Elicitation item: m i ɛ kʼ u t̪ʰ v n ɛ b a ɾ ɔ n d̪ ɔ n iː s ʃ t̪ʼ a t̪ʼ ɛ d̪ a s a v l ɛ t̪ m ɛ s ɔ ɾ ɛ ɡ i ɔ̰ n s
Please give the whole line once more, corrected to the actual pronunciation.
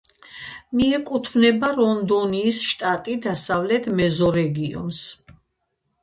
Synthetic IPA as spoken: m i ɛ kʼ u t̪ʰ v n ɛ b a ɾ ɔ n d̪ ɔ n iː s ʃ t̪ʼ a t̪ʼ i d̪ a s a v l ɛ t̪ m ɛ z ɔ ɾ ɛ ɡ i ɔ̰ n s